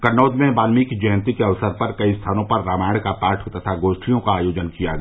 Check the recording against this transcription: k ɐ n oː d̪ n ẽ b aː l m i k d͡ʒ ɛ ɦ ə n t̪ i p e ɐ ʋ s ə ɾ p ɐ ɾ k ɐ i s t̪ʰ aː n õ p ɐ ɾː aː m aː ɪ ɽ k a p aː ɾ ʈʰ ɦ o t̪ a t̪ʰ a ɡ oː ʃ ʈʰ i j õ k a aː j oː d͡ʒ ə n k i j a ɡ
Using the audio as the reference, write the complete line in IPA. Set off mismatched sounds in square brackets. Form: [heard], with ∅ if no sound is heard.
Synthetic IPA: k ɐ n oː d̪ [m] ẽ b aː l m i k d͡ʒ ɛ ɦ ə n t̪ i [k] e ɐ ʋ s ə ɾ p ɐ ɾ k ɐ i s t̪ʰ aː n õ p ɐ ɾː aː m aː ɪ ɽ k a p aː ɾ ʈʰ ɦ o t̪ a t̪ʰ a ɡ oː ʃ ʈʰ i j õ k a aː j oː d͡ʒ ə n k i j a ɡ

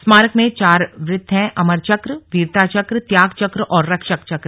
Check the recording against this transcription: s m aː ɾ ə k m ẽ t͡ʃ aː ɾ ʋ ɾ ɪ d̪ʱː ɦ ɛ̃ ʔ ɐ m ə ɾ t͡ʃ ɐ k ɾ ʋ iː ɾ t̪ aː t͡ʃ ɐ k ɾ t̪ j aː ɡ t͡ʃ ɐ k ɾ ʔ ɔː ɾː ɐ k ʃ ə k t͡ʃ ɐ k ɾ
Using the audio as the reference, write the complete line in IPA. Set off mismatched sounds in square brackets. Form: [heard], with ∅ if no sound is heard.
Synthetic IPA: s m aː ɾ ə k m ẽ t͡ʃ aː ɾ ʋ ɾ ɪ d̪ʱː ɦ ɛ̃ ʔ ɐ m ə ɾ t͡ʃ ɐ k ɾ ʋ iː ɾ t̪ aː t͡ʃ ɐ k ɾ t̪ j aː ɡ t͡ʃ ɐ k ɾ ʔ ɔː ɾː ɐ k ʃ ə k t͡ʃ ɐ k ɾ

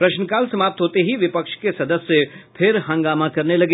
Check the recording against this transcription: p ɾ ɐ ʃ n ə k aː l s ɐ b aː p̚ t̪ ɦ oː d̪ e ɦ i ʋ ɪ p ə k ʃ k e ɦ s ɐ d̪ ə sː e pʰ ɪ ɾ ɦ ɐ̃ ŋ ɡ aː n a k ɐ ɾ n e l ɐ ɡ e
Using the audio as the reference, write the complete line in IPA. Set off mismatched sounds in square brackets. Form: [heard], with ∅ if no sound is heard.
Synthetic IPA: p ɾ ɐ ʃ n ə k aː l s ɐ [m] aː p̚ t̪ ɦ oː [t̪] e ɦ i ʋ ɪ p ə k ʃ k e [∅] s ɐ d̪ ə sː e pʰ ɪ ɾ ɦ ɐ̃ ŋ ɡ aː [m] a k ɐ ɾ n e l ɐ ɡ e

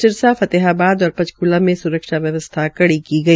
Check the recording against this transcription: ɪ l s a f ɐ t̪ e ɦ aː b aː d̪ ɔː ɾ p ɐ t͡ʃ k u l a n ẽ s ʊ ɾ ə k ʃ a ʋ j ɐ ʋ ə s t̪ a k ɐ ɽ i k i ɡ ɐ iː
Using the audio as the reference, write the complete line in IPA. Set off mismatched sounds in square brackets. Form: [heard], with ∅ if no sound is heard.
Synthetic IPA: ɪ [ɾ] s a f ɐ t̪ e ɦ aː b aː d̪ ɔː ɾ p ɐ t͡ʃ k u l a [m] ẽ s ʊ ɾ ə k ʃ a ʋ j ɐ ʋ ə s [t̪ʰ] a k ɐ ɽ i k i ɡ ɐ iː

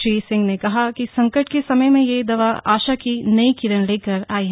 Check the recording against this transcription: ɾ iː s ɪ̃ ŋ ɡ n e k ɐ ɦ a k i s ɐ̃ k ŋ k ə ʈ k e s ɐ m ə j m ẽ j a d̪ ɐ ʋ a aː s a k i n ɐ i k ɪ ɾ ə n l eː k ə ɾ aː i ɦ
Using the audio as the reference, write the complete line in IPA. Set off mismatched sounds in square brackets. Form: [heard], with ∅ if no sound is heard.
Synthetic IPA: ɾ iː s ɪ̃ ŋ ɡ n e k ɐ ɦ a k i s ɐ̃ [∅] ŋ k ə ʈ k e s ɐ m ə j m ẽ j [e] d̪ ɐ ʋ a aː [ʃ] a k i n ɐ i k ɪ ɾ ə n l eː k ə ɾ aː i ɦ

